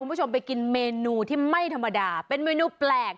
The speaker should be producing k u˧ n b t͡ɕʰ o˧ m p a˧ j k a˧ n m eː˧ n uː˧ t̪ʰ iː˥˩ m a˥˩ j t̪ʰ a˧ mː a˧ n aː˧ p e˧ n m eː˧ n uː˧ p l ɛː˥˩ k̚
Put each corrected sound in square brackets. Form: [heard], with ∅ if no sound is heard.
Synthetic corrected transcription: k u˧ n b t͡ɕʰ o˧ m p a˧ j k [i˧] n m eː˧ n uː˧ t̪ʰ iː˥˩ m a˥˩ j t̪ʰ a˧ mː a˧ [d] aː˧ p e˧ n m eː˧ n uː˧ p l [ɛː˨˩] k̚